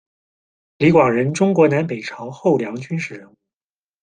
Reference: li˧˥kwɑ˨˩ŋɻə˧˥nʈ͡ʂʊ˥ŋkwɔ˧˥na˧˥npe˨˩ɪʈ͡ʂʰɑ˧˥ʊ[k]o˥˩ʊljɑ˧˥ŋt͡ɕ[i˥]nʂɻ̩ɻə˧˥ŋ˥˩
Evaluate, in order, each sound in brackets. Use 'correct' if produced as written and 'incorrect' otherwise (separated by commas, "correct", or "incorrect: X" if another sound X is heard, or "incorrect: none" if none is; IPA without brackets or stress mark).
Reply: incorrect: x, incorrect: y˥